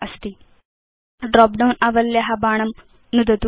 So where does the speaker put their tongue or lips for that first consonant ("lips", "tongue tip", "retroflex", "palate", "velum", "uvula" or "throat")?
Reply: tongue tip